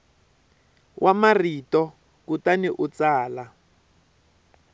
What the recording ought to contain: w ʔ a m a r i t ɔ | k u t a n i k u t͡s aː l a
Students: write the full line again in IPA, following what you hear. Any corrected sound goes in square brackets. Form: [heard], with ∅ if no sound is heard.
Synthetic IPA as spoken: w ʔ a m a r i t ɔ | k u t a n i [ʔ] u t͡s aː l a